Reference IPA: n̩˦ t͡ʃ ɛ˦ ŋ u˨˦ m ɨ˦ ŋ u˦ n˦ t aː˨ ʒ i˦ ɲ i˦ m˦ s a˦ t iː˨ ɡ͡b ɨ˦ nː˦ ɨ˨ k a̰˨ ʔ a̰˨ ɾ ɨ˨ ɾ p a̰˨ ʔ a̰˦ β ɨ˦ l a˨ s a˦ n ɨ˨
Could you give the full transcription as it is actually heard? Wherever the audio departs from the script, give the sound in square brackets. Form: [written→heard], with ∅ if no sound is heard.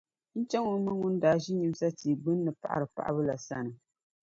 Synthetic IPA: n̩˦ t͡ʃ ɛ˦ ŋ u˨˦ m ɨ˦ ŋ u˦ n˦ [t→d] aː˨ ʒ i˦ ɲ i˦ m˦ s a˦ t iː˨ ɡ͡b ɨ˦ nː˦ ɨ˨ [k→p] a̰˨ ʔ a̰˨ ɾ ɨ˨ [ɾ→∅] p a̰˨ ʔ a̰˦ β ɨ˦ l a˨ s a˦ n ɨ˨